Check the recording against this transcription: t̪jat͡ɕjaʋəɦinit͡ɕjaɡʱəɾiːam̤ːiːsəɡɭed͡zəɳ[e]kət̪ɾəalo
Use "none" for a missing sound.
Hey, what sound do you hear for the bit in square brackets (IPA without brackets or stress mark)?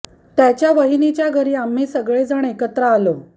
e